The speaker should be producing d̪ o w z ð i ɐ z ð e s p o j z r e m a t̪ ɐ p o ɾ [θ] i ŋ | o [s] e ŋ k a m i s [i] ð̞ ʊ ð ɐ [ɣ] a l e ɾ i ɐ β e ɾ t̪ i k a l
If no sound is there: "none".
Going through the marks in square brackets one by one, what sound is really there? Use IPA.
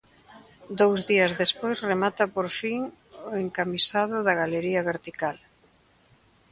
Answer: f, none, a, ɣ

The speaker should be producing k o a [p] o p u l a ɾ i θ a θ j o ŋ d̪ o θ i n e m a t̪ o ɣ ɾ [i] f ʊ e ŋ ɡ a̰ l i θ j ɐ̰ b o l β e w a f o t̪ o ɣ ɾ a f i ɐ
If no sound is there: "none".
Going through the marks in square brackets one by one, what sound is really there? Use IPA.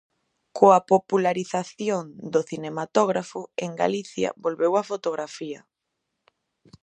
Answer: p, a

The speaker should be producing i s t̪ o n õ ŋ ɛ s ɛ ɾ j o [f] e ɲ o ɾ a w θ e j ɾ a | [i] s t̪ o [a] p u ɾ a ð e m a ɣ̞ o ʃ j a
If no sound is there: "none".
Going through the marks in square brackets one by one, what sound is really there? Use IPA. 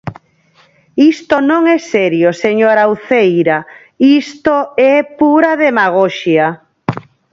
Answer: s, i, ɛ

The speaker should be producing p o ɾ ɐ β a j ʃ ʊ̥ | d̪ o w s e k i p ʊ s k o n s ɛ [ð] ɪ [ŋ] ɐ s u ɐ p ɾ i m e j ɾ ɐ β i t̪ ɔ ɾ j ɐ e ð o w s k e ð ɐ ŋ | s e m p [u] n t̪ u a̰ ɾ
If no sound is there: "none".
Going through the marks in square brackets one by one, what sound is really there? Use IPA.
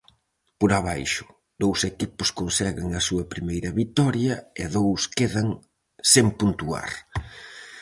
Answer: ɣ, ŋ, u

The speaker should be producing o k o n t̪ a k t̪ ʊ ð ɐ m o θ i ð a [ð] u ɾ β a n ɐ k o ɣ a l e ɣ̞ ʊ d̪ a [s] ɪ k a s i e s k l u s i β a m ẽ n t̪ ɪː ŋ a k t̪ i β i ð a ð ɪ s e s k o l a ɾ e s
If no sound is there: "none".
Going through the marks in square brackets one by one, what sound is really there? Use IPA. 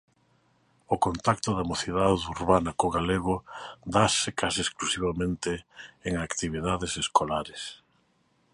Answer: ð, s

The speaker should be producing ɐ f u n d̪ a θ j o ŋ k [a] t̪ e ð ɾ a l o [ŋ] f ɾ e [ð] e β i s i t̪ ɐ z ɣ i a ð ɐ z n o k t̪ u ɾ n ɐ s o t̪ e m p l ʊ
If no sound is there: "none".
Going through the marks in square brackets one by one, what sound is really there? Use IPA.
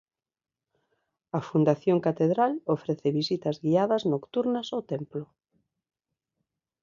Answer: a, none, θ

